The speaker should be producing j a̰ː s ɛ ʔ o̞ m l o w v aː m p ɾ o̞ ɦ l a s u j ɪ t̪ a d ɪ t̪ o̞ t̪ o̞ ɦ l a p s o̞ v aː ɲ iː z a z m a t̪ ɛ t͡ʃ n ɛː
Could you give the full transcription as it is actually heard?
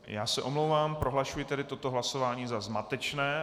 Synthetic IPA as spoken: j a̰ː s ɛ ʔ o̞ m l o w v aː m p ɾ o̞ ɦ l a ʃ u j ɪ t̪ ɛ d ɪ t̪ o̞ t̪ o̞ ɦ l a s o̞ v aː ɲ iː z a z m a t̪ ɛ t͡ʃ n ɛː